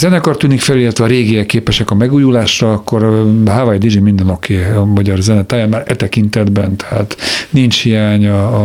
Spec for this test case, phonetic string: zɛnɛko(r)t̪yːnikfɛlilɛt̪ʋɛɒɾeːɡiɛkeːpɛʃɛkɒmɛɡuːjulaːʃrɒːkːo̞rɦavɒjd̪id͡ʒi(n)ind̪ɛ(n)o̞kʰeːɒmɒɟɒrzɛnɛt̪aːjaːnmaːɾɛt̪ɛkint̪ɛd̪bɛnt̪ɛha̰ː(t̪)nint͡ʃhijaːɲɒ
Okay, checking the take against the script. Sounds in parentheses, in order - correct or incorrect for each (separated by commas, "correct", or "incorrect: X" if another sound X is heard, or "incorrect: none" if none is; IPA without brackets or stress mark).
correct, incorrect: m, correct, correct